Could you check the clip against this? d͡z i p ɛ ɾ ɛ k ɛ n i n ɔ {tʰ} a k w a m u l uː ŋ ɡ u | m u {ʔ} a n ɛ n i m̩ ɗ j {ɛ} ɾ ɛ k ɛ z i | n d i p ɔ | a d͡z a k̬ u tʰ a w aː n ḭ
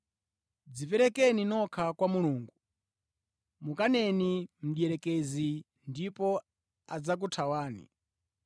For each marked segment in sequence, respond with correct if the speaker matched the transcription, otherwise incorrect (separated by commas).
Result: incorrect, incorrect, correct